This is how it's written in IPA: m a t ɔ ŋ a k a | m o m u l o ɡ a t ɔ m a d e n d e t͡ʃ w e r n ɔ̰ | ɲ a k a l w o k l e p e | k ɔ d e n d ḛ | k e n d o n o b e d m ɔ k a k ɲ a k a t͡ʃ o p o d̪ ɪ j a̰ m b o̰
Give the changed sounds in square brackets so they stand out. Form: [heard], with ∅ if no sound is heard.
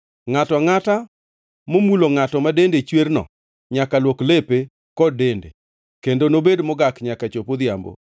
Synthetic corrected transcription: [ŋ] a t ɔ ŋ a [t] a | m o m u l o [ŋ] a t ɔ m a d e n d e t͡ʃ w e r n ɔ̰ | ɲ a k a l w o k l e p e | k ɔ d e n d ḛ | k e n d o n o b e d m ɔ [ɡ] a k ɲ a k a t͡ʃ o p o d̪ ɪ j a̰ m b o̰